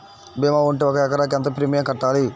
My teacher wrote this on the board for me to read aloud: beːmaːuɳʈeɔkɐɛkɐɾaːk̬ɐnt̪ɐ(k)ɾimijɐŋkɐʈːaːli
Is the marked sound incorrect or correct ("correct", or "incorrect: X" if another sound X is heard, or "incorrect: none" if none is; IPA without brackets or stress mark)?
incorrect: p